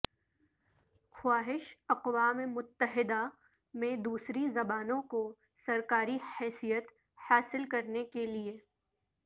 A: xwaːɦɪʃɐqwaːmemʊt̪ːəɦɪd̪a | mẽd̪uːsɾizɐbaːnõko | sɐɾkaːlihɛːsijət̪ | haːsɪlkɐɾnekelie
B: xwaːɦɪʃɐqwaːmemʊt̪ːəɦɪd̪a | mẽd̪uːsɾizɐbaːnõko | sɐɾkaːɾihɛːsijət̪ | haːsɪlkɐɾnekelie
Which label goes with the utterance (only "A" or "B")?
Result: B